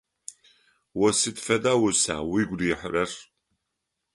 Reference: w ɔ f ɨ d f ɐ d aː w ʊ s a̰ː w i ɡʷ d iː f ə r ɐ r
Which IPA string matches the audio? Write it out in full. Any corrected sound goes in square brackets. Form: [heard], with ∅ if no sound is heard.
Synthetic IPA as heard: w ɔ [s] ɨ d f ɐ d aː w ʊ s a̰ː w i ɡʷ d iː [ħ] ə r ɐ r